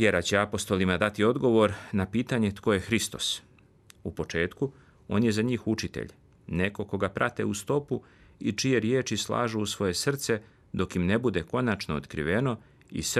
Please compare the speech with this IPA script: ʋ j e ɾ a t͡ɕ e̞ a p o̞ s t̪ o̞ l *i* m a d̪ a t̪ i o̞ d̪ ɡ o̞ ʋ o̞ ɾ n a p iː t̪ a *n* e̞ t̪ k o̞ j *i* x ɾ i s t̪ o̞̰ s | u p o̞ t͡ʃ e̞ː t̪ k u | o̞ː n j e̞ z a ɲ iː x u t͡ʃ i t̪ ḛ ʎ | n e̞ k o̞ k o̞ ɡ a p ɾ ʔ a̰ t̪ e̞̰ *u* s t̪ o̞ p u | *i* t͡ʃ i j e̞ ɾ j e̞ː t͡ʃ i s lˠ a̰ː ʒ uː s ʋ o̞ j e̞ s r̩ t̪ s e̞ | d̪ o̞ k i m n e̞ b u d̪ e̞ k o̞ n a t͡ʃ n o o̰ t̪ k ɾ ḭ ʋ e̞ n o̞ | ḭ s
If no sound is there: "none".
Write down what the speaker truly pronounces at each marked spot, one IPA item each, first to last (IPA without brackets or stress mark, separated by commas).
i, ɲ, e, u, i